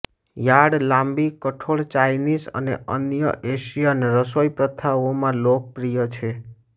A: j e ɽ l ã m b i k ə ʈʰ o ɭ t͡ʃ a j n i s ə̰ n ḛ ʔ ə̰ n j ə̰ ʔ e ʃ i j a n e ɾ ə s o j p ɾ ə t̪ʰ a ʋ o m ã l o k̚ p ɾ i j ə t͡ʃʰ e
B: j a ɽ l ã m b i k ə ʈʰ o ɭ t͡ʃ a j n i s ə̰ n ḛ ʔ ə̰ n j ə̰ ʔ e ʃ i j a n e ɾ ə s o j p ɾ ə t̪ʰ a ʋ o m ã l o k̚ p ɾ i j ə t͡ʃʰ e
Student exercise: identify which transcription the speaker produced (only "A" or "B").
B